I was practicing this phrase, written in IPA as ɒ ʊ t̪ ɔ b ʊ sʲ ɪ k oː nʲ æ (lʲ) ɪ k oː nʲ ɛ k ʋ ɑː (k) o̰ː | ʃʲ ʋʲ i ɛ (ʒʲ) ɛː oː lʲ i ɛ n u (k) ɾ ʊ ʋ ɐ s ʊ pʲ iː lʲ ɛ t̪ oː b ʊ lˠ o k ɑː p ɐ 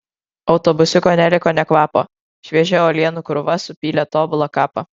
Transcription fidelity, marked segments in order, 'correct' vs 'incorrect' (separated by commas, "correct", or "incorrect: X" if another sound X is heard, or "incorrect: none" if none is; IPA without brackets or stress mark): correct, incorrect: p, correct, correct